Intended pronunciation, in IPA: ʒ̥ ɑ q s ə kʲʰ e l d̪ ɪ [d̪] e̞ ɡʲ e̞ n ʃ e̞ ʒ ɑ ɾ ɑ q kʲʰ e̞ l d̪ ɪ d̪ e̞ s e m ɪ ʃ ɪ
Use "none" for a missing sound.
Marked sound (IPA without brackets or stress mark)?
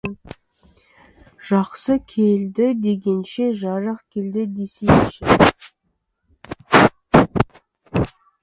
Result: d̪